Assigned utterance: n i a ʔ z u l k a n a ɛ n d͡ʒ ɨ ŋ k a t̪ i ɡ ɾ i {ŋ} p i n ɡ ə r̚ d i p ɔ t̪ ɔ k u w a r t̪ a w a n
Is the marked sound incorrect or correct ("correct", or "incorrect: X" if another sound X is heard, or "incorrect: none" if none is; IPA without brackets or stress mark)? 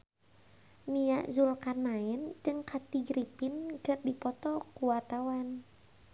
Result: incorrect: none